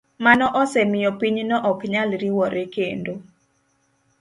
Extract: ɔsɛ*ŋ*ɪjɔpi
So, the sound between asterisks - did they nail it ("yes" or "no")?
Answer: no